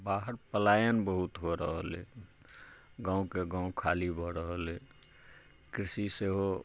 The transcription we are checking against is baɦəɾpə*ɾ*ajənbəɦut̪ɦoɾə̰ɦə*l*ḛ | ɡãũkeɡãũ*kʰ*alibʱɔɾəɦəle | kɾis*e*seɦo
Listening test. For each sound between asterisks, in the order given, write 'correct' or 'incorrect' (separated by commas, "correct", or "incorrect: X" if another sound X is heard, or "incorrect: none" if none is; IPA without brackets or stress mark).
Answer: incorrect: l, correct, correct, incorrect: i